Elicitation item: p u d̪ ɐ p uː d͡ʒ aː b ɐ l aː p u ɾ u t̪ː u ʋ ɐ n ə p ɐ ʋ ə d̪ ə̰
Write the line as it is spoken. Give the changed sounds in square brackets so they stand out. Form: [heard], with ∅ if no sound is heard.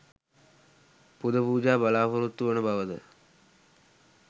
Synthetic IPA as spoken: p u d̪ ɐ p uː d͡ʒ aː b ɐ l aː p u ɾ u t̪ː u ʋ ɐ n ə [b] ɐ ʋ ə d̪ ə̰